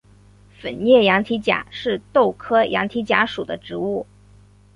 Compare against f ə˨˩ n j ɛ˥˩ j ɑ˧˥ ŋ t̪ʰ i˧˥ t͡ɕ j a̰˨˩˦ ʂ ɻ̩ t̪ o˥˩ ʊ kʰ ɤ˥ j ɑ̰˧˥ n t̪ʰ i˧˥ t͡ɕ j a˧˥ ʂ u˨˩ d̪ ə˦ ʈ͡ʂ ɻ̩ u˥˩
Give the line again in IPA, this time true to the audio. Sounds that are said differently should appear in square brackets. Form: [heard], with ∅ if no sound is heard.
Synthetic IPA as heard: f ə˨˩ n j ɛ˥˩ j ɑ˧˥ ŋ t̪ʰ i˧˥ t͡ɕ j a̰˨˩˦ ʂ ɻ̩ t̪ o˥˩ ʊ kʰ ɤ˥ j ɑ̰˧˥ [ŋ] t̪ʰ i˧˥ t͡ɕ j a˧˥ ʂ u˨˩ d̪ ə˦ ʈ͡ʂ ɻ̩ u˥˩